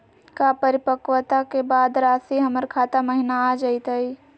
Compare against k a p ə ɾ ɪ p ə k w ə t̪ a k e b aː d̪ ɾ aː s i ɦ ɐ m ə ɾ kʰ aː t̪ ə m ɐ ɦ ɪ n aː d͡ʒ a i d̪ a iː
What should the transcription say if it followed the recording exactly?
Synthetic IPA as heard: k a p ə ɾ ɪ p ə k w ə t̪ a k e b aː d̪ ɾ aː s i ɦ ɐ m ə ɾ kʰ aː t̪ a m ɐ ɦ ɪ n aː d͡ʒ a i t̪ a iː